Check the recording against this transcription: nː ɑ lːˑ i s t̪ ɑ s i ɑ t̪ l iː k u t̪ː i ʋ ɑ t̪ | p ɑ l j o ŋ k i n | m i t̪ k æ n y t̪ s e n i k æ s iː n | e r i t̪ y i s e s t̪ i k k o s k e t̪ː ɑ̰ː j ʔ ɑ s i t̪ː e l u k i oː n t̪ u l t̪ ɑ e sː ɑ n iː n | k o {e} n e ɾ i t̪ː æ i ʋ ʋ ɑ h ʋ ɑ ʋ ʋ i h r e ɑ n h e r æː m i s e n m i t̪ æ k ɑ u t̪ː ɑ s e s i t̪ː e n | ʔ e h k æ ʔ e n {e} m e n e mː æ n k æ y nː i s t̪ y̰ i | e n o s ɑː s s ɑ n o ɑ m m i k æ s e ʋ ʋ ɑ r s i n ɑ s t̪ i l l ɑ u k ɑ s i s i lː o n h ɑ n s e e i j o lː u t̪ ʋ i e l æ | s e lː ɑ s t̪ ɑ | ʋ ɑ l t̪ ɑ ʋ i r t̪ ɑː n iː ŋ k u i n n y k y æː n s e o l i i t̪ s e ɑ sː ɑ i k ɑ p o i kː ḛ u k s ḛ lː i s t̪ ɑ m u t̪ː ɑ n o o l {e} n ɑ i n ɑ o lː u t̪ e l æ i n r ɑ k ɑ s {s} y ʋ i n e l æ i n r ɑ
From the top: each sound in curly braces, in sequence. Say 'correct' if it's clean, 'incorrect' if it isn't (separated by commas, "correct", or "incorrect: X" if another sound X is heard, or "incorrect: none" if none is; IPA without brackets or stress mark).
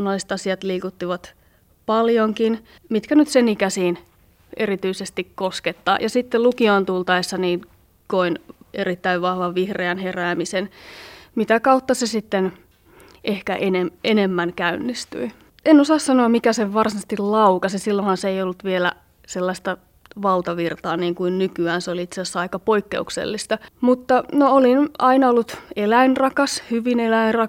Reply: incorrect: i, correct, incorrect: i, incorrect: h